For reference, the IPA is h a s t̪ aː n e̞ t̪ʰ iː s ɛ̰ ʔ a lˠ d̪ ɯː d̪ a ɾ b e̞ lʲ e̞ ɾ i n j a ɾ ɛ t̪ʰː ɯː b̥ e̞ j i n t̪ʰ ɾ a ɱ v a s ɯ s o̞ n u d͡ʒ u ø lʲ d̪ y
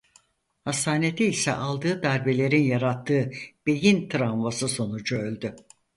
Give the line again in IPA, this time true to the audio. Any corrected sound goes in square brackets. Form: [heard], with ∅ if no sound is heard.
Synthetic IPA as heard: h a s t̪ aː n e̞ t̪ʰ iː s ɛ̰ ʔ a lˠ d̪ ɯː d̪ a ɾ b e̞ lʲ e̞ ɾ i n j a ɾ [a] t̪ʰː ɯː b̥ e̞ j i n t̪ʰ ɾ a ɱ v a s ɯ s o̞ n u d͡ʒ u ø lʲ d̪ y